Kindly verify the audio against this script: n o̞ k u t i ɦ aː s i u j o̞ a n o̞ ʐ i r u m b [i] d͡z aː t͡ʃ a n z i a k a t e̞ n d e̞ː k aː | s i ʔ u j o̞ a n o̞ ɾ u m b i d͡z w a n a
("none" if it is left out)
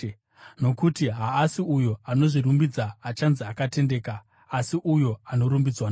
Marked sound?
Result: i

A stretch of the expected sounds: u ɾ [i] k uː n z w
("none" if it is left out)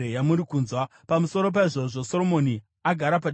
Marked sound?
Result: i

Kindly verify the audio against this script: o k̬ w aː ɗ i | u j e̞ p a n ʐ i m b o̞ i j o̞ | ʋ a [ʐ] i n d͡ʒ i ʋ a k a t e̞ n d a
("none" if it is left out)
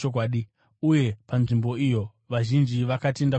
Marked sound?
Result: ʒ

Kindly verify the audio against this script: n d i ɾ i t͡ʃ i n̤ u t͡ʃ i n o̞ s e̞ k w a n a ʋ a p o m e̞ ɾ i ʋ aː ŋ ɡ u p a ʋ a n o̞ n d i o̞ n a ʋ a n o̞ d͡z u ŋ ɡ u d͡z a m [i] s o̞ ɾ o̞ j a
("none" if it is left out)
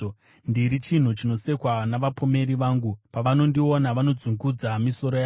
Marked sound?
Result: i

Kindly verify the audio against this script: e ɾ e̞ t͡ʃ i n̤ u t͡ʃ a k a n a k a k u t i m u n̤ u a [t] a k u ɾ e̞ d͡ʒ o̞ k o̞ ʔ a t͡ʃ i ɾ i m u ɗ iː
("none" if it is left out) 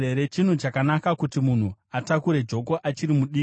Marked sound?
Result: t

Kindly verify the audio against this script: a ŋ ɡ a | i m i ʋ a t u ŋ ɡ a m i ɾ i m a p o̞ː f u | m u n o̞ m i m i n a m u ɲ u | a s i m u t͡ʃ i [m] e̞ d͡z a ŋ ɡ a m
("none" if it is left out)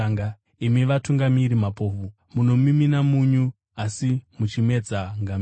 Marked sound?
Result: m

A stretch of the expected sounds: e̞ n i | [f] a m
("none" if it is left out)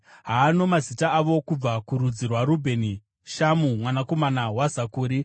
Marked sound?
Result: ʃ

